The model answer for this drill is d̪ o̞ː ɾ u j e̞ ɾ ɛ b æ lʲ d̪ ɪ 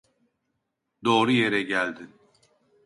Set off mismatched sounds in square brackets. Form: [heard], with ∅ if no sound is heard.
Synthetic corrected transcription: d̪ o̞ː ɾ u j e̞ ɾ ɛ [ɟ] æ lʲ d̪ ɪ